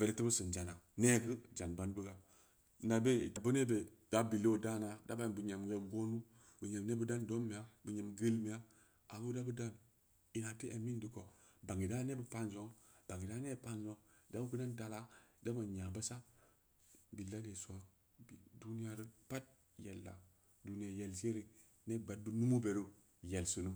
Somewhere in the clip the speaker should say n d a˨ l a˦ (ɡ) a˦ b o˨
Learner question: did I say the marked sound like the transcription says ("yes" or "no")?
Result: no